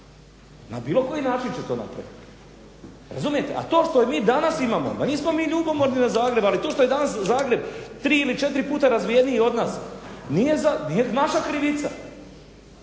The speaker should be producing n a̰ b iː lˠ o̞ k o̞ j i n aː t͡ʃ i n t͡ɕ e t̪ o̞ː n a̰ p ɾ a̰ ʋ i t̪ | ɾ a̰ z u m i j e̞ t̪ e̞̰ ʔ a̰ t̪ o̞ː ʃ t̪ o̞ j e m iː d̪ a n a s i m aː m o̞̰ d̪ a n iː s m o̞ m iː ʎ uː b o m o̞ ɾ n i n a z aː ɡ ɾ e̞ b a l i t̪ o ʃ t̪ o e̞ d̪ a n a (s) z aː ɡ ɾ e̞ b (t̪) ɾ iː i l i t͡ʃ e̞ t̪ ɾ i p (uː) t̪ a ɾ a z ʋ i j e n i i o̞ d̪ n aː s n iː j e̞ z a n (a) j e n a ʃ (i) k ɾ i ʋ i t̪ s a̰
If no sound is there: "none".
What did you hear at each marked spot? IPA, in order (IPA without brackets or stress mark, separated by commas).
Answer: s, t̪, uː, i, a